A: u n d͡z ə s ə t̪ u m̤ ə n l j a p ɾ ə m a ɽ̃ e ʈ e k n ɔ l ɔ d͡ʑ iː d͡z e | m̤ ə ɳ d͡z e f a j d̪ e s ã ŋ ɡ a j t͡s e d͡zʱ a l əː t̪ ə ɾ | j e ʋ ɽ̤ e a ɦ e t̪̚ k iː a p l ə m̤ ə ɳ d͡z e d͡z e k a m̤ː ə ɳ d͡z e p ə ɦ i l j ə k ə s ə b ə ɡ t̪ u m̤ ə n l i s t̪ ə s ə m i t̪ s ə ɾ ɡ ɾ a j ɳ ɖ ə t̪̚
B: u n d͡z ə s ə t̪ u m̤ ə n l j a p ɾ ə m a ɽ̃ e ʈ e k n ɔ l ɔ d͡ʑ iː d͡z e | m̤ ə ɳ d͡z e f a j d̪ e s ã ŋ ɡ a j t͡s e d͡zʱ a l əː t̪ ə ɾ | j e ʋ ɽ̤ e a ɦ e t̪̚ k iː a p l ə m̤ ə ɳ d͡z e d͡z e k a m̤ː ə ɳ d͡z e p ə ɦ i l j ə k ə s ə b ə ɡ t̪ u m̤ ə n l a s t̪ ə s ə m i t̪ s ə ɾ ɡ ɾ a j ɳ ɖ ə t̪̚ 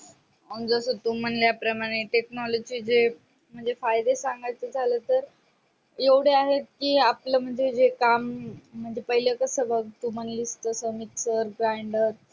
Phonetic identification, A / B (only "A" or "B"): A